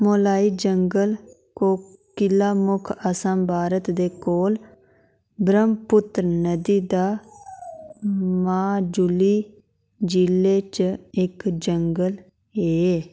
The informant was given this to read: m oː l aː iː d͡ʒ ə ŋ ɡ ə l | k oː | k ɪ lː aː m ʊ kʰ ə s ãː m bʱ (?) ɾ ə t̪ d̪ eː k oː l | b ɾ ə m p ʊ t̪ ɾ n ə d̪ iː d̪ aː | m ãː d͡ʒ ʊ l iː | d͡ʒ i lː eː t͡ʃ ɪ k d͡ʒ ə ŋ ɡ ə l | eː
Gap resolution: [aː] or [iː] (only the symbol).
aː